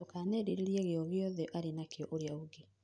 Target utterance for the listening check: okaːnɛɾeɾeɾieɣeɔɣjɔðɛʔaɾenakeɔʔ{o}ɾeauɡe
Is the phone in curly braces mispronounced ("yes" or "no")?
no